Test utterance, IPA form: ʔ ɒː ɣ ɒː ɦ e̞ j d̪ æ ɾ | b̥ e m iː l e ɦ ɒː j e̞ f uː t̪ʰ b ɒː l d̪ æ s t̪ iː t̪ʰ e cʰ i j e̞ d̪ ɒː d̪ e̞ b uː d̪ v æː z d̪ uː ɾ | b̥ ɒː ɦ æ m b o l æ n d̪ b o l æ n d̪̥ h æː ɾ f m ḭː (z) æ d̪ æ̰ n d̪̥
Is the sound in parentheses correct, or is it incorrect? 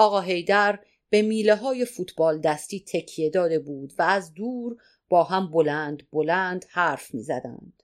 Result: correct